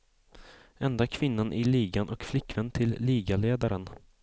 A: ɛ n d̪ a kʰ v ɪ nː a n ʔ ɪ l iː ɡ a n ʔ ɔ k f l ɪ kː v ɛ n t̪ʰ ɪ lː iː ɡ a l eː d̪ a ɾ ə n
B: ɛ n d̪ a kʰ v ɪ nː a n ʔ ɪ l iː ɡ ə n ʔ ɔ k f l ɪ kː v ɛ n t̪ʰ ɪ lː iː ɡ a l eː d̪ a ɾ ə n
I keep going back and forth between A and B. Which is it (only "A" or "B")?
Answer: A